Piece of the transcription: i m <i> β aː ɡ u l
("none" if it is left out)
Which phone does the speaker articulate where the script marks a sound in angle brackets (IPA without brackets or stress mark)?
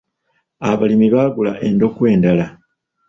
i